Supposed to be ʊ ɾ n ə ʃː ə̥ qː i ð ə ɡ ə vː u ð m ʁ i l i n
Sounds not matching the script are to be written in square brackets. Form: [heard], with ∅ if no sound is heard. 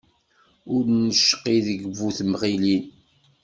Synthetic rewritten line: ʊ ɾ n ə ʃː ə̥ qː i ð ə ɡ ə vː u [θ] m ʁ i l i n